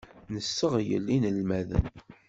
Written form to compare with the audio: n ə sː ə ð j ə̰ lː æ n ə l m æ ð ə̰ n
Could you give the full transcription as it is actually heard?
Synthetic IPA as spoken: n ə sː ə ʁ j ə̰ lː i n ə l m æ ð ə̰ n